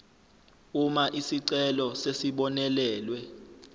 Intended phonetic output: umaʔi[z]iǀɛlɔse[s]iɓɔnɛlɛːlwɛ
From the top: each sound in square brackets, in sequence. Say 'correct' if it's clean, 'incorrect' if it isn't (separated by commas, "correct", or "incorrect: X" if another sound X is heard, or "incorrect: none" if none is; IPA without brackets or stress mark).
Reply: incorrect: s, correct